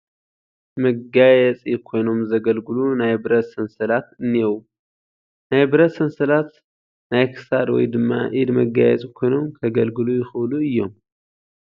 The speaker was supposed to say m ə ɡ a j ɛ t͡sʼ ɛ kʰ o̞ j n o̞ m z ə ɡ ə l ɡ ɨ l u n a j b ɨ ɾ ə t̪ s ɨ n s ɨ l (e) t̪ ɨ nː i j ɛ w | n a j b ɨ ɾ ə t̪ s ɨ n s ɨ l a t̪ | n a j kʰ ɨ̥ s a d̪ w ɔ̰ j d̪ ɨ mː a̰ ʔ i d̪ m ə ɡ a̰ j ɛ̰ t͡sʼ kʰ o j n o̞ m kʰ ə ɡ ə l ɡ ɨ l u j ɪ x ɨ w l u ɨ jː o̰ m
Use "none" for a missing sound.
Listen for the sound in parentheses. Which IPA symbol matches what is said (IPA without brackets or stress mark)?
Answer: a